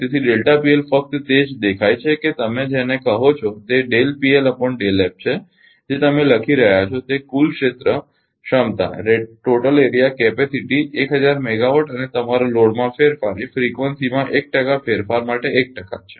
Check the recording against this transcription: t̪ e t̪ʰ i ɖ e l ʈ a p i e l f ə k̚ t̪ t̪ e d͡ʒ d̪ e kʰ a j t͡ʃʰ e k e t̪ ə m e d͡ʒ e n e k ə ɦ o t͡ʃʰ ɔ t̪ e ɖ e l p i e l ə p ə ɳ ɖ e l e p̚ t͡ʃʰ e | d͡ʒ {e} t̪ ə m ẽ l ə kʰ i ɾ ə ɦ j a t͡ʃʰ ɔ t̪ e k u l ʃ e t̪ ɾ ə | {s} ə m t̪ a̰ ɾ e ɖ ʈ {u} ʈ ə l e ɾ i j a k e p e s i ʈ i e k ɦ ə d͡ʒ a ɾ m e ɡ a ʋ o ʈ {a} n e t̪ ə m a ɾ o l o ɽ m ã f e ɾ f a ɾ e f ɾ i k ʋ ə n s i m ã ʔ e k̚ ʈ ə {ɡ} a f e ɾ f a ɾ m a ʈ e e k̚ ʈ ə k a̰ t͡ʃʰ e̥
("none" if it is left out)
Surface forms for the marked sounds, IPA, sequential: e, ʃ, o, ə, k

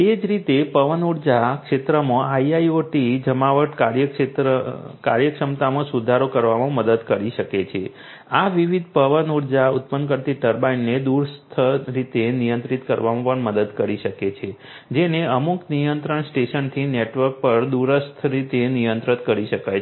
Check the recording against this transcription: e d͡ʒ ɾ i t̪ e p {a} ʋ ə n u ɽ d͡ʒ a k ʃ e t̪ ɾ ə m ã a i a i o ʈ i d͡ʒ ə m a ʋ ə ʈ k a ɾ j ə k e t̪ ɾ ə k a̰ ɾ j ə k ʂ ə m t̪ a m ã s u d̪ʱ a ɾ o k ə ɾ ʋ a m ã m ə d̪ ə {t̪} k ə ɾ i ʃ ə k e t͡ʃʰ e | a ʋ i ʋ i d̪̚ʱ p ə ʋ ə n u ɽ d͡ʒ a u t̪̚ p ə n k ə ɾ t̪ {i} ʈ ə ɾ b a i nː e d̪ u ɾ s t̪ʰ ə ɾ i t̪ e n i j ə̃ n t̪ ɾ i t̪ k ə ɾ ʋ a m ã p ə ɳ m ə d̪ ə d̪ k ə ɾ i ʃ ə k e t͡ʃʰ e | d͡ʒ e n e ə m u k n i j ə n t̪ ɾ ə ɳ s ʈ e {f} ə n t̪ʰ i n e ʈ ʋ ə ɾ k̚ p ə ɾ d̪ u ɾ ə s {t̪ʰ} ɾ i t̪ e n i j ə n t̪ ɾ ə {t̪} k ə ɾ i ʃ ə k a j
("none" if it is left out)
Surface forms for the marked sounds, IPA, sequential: ə, d̪, i, ʃ, t̪ʰ, t̪

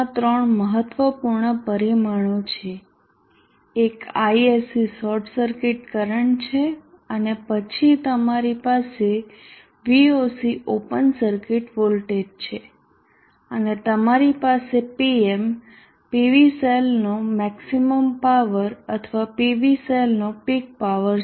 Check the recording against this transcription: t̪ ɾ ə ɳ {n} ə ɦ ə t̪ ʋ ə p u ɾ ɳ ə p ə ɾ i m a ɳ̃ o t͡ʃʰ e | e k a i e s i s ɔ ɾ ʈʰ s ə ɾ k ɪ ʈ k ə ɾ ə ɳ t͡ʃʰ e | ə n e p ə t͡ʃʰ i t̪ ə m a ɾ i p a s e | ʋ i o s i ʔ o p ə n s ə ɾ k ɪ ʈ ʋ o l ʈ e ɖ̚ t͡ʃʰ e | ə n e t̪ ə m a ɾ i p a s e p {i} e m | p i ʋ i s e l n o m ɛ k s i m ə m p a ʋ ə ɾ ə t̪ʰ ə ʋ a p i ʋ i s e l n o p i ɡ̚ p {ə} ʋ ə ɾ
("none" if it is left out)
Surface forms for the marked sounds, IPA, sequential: m, i, a

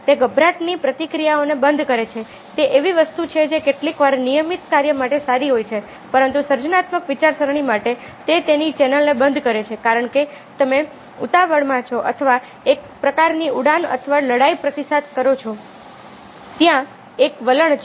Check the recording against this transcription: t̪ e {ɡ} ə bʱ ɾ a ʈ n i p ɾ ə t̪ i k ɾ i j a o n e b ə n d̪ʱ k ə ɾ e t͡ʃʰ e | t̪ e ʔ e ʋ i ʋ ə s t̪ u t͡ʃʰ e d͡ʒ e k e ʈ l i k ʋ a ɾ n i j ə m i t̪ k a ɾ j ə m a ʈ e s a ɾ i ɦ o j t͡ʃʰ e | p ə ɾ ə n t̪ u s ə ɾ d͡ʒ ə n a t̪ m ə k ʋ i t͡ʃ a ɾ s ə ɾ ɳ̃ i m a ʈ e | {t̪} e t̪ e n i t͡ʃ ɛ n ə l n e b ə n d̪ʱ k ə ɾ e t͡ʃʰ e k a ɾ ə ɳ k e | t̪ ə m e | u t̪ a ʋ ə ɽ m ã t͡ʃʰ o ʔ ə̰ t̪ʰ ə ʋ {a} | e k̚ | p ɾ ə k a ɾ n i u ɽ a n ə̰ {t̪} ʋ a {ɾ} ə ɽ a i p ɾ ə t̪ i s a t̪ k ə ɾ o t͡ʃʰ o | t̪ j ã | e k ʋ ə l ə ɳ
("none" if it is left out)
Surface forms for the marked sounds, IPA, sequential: ɡ, t̪, a, t̪ʰ, l

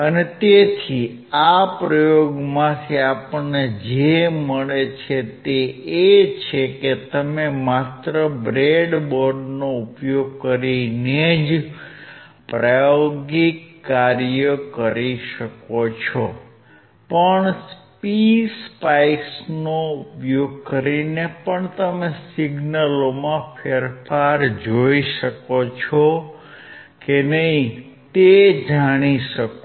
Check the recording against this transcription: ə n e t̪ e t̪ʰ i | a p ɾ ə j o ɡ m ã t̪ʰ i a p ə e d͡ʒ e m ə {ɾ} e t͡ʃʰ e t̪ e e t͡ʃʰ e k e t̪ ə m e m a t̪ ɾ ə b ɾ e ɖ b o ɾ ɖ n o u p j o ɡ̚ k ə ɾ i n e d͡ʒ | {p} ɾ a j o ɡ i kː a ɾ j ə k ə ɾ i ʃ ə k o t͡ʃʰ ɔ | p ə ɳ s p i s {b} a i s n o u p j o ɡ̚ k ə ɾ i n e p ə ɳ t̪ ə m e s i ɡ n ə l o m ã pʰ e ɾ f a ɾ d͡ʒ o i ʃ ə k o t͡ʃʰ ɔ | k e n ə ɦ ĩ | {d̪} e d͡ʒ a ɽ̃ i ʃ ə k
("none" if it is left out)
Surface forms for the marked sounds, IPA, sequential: ɭ, p, p, t̪

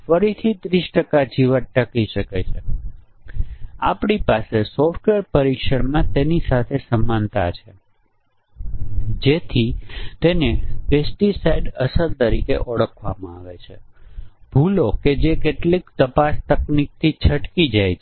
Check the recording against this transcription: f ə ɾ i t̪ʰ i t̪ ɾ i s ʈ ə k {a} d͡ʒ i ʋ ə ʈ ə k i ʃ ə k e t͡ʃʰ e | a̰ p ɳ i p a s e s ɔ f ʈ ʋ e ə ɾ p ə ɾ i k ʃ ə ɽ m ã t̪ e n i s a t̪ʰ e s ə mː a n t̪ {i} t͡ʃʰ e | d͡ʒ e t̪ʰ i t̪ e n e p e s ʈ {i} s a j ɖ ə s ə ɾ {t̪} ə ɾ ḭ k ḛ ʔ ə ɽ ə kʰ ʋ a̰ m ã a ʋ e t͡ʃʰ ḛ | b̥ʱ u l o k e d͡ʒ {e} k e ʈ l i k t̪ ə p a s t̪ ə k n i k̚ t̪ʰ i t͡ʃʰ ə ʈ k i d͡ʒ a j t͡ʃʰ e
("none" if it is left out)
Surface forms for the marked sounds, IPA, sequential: a, a, i, t̪, e

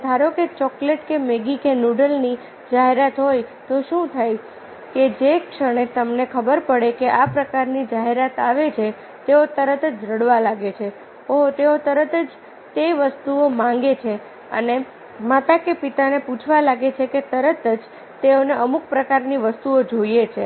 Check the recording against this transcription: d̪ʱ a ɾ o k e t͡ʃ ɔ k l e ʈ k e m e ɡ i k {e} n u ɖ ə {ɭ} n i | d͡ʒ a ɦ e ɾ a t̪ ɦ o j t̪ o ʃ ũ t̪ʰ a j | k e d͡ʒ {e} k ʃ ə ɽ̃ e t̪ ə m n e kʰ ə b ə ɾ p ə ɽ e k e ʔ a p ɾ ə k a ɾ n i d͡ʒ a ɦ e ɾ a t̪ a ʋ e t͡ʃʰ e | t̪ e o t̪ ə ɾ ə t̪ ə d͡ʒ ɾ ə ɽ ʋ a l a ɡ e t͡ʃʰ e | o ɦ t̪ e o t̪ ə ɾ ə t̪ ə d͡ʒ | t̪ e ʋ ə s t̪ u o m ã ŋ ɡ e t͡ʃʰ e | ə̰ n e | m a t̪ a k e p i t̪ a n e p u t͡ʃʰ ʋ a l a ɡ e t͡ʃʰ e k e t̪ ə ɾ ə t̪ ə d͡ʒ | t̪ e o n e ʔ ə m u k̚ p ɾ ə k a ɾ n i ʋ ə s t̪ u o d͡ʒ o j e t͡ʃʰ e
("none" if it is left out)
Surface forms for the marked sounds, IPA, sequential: e, l, e

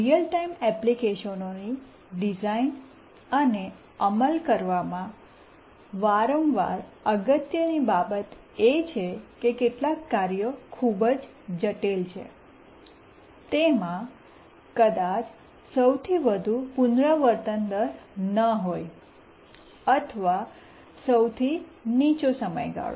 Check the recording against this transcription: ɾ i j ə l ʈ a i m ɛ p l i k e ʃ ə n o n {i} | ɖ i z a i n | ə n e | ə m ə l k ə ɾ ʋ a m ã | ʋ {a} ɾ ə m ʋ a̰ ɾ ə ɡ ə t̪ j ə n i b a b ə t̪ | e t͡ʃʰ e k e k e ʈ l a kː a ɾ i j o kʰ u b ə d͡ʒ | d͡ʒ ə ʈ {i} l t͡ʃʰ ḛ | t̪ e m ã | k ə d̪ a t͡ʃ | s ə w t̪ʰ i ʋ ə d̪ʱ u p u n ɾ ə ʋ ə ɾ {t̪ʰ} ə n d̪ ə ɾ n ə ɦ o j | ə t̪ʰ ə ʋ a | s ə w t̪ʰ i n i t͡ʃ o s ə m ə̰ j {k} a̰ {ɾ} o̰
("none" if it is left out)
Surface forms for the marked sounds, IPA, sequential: i, a, e, t̪, ɡ, ɭ

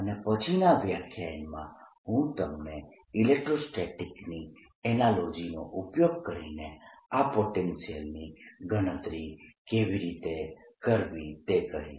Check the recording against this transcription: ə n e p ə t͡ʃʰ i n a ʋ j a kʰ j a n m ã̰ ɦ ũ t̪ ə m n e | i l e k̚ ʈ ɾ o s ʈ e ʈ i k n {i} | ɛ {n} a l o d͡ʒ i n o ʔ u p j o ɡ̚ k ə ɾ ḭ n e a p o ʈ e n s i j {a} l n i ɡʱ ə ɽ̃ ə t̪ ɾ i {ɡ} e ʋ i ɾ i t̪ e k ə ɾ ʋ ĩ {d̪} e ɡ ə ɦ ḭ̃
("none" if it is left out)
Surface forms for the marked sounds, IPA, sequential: i, n, ə, k, t̪

